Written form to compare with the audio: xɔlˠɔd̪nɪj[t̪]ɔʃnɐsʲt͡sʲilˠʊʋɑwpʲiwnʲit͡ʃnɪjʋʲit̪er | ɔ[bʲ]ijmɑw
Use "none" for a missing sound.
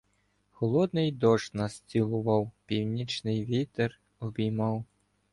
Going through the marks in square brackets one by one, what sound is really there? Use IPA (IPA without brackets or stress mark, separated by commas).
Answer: d̪, bʲ